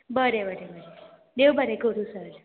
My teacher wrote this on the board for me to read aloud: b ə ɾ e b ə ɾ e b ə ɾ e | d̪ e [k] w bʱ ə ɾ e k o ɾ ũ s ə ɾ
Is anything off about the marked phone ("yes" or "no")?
yes